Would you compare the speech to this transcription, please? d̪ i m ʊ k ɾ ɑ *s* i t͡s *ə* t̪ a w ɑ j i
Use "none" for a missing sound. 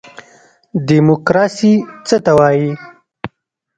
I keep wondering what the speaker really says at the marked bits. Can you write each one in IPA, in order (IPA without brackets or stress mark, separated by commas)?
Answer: s, ə